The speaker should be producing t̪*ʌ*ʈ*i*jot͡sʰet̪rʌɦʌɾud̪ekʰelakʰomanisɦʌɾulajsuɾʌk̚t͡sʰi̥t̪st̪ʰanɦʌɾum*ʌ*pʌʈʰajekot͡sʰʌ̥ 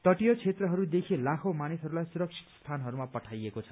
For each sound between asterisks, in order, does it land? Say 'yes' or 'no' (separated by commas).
yes, yes, no